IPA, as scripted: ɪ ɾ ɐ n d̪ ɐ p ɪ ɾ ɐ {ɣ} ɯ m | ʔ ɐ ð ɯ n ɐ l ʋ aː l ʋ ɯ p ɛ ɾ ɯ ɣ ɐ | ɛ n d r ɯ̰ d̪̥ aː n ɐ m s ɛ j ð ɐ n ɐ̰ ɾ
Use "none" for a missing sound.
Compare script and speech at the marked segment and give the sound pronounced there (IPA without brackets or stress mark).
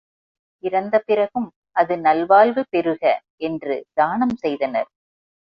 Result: ɣ